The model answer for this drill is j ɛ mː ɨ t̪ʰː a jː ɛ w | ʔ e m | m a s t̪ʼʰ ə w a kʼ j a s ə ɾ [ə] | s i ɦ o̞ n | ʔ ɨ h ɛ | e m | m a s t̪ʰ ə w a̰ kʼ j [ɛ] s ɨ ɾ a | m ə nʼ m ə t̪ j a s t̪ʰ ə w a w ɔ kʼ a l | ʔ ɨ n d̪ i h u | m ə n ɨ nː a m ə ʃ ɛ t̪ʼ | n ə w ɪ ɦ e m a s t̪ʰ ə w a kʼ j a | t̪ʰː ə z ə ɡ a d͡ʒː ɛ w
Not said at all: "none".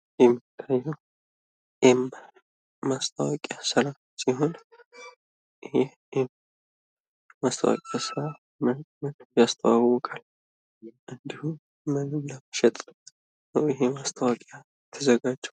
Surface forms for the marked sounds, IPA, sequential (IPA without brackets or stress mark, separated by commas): a, a